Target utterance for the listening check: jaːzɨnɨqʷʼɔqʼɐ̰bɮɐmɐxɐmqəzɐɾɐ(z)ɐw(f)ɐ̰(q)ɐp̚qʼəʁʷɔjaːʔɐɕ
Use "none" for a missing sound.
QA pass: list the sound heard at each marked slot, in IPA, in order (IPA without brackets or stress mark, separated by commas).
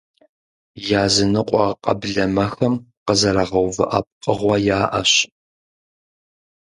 ʁ, v, ʔ